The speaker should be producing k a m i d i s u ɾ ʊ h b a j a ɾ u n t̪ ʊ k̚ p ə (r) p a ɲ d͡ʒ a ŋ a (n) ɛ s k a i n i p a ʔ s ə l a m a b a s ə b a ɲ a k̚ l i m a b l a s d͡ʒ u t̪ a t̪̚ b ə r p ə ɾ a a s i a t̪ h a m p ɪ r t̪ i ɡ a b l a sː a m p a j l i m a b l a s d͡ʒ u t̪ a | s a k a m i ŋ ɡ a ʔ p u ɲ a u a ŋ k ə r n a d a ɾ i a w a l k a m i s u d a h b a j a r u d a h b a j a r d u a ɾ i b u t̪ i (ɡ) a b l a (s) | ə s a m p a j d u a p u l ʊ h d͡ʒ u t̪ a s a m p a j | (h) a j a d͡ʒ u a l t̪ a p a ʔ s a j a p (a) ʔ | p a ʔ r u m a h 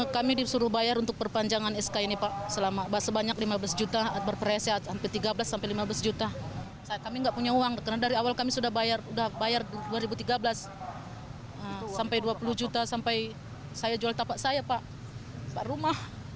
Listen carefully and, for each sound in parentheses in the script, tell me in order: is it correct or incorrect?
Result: correct, correct, correct, correct, incorrect, correct

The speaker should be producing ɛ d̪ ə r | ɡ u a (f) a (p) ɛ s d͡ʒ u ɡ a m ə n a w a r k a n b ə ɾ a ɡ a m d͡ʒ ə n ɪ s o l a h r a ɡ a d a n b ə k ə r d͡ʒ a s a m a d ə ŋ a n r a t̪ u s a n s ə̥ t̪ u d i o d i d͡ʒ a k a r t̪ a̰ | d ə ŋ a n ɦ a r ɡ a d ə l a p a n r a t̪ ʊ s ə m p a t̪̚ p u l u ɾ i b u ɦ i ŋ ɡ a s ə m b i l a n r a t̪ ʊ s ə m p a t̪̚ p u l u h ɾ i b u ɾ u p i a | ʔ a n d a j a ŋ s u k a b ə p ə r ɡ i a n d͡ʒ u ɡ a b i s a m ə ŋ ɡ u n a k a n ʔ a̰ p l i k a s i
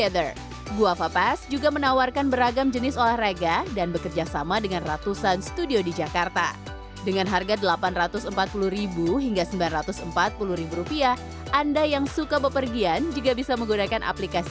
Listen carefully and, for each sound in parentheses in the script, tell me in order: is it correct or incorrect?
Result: correct, correct

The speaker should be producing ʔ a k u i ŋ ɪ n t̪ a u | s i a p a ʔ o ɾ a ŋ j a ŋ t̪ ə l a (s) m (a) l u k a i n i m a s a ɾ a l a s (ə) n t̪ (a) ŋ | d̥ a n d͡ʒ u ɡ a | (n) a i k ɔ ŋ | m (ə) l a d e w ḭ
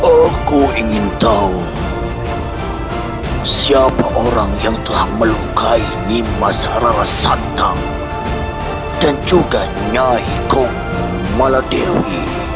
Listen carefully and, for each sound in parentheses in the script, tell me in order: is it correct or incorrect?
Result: incorrect, incorrect, incorrect, correct, incorrect, incorrect

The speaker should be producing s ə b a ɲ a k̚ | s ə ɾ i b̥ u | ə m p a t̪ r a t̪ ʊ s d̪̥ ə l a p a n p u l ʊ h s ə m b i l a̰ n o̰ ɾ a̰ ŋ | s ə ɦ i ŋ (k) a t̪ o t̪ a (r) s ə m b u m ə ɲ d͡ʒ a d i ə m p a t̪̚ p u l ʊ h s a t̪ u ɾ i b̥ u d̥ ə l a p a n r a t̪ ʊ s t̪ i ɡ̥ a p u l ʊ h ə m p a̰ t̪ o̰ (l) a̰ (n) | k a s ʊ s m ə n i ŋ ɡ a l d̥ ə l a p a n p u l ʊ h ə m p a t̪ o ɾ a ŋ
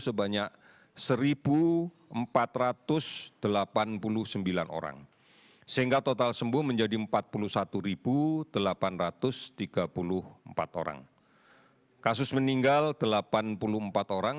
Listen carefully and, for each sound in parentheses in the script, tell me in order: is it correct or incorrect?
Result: incorrect, incorrect, incorrect, incorrect

